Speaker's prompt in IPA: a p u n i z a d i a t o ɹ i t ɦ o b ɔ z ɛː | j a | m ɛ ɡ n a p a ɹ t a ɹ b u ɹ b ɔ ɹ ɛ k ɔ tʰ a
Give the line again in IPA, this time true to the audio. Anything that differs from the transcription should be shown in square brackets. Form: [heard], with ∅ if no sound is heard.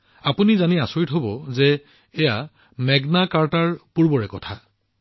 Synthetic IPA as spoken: a p u n i z a [n] i a [s] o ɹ i t ɦ o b ɔ z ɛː | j a | m ɛ ɡ n a [k] a ɹ t a ɹ [p] u ɹ b ɔ ɹ ɛ k ɔ tʰ a